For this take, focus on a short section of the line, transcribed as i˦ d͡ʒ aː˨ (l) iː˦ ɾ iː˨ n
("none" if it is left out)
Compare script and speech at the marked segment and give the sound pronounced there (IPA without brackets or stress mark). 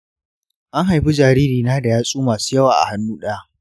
ɾ